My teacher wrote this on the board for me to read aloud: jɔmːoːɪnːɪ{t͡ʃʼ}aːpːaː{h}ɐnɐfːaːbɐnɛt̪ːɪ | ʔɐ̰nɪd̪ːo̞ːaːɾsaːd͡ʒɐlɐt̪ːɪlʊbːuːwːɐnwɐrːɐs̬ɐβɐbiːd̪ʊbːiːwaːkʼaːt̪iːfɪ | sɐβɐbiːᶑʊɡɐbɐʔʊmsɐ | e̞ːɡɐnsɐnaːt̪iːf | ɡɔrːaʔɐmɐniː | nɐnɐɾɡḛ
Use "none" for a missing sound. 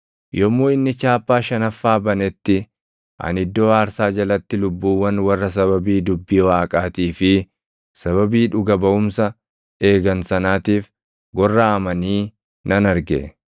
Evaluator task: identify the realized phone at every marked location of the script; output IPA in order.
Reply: t͡ʃ, ʃ

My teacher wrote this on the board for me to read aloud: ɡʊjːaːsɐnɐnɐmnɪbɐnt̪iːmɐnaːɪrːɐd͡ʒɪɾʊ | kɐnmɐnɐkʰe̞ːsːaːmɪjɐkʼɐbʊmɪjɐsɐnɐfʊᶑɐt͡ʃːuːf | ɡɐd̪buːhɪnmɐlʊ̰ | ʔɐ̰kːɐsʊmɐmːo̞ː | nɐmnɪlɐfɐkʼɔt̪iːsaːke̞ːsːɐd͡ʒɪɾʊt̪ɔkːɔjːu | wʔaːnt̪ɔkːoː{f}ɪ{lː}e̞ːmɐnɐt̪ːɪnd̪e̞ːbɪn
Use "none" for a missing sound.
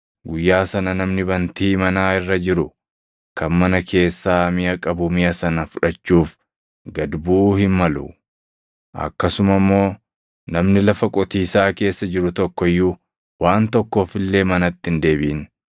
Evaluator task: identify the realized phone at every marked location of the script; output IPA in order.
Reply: f, lː

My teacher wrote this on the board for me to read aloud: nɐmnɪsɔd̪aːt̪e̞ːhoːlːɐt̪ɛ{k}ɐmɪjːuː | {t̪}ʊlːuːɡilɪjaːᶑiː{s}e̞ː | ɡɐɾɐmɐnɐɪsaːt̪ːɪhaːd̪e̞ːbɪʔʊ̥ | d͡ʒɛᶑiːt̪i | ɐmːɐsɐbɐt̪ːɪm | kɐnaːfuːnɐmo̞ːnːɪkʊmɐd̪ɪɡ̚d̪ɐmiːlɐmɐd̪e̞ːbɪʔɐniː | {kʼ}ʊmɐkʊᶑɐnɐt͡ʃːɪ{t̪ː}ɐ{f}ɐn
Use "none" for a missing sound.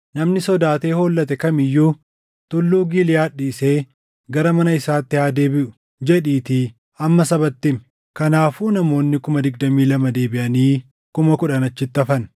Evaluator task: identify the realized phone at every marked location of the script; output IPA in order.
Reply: k, t̪, s, k, t̪ː, f

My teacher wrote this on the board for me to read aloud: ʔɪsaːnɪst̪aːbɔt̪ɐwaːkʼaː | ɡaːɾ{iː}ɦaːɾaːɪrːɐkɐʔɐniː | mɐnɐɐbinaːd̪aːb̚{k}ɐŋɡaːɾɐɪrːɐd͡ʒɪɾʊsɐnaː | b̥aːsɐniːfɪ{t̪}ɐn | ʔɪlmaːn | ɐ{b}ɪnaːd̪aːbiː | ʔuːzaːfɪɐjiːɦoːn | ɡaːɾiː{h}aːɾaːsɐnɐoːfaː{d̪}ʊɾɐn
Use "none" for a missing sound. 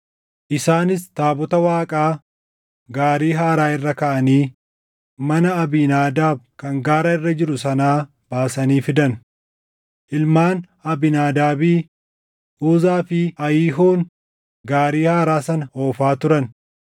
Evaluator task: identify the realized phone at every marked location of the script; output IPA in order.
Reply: iː, k, d̪, b, h, t̪

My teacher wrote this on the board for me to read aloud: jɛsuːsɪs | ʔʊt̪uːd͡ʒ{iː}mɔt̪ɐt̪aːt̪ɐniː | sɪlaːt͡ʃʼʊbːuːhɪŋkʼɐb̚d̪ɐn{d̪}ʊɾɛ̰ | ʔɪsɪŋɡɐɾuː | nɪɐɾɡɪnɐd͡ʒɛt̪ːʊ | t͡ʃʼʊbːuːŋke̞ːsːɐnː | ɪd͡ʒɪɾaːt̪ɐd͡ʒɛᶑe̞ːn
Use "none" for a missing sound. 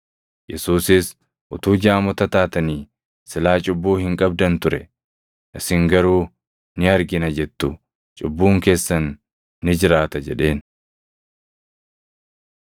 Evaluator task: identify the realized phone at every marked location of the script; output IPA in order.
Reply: aː, t̪

